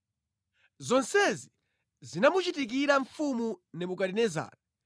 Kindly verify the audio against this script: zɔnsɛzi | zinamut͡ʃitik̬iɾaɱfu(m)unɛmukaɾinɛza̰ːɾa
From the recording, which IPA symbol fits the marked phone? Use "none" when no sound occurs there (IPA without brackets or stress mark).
m